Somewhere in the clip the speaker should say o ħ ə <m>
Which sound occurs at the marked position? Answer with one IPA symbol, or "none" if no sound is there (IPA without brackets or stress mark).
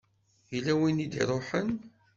n